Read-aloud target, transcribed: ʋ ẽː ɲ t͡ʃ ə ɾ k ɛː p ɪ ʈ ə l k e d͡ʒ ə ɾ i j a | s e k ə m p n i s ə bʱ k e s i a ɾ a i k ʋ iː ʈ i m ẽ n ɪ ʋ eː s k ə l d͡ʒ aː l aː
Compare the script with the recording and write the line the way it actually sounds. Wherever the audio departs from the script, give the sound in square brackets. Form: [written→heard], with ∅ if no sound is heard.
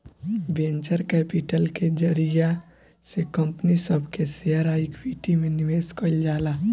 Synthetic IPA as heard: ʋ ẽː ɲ t͡ʃ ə ɾ k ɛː p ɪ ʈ ə l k e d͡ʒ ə ɾ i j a | s e k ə m p n i s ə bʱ k e s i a ɾ a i k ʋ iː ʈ i m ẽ n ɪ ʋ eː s k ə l d͡ʒ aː l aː